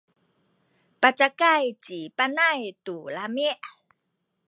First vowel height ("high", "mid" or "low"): low